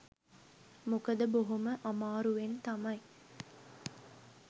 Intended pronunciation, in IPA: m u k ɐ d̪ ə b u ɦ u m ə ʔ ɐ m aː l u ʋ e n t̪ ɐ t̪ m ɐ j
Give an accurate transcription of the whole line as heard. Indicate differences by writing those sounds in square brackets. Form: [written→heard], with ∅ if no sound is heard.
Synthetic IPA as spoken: m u k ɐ d̪ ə b [u→o] ɦ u m ə ʔ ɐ m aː [l→ɾ] u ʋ e n t̪ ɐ [t̪→∅] m ɐ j